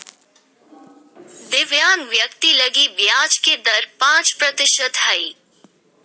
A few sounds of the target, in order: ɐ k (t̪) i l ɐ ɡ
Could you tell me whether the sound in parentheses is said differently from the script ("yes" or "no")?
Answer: no